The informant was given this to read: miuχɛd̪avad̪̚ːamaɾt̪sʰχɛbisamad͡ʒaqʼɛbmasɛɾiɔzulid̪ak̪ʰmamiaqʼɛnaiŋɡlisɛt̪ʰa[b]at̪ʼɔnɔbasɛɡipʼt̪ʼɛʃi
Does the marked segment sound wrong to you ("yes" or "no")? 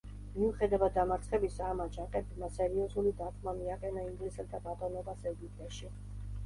no